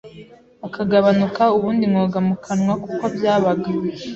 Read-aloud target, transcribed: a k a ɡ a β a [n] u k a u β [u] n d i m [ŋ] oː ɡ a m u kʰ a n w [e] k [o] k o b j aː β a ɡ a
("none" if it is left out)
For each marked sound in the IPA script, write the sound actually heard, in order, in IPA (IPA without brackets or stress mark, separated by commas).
n, uː, ŋ, a, u